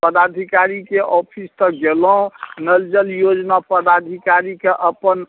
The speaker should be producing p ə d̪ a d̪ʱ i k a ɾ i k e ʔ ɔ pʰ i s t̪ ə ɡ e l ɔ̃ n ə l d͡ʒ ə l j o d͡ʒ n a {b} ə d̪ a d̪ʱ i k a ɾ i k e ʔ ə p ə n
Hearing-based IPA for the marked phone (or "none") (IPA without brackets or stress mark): p